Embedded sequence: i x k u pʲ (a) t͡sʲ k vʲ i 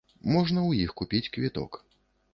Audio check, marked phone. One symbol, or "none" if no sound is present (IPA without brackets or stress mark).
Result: i